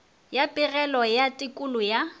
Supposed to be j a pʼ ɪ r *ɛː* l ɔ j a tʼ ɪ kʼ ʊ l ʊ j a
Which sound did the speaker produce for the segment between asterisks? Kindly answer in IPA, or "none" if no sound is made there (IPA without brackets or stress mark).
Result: ɛ